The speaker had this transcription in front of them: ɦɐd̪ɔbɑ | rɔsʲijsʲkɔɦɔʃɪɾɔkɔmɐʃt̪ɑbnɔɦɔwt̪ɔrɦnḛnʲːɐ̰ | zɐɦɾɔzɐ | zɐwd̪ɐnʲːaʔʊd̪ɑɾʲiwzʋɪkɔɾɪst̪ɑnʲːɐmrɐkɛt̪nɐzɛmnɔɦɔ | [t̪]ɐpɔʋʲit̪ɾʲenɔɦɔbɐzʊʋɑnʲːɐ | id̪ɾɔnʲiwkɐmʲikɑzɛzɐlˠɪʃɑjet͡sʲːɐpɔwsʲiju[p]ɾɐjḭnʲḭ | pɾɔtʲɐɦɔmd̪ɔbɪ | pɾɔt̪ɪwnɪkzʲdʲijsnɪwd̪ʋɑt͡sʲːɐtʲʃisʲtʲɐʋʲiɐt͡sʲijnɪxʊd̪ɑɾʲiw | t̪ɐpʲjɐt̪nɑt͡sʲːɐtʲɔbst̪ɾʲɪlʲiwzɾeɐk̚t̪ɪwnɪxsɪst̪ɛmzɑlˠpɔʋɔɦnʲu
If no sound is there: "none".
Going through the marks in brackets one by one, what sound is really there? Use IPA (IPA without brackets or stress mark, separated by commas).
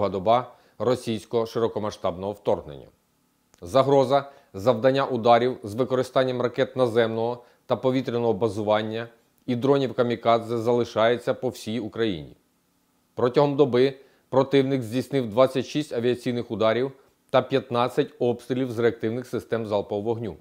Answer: t̪, k